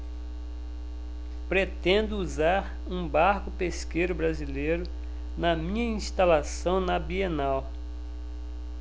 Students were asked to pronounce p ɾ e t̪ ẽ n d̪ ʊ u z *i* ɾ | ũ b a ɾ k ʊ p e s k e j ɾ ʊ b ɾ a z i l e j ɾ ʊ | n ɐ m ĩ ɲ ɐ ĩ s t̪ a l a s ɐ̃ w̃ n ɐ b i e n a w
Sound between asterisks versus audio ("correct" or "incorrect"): incorrect